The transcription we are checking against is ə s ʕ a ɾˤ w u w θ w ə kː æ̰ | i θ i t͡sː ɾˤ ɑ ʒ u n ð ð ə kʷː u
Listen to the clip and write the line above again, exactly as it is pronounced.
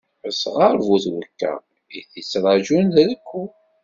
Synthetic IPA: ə s ʁ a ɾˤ v u θ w ə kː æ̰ | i θ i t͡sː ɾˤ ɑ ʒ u n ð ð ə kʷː u